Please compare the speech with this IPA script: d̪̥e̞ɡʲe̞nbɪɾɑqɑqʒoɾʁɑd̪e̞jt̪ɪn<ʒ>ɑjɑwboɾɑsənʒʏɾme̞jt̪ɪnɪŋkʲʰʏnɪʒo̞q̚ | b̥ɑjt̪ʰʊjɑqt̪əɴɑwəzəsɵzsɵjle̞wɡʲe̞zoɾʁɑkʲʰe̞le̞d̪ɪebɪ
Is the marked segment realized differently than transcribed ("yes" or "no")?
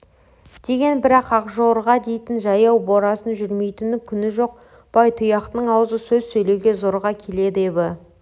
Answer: no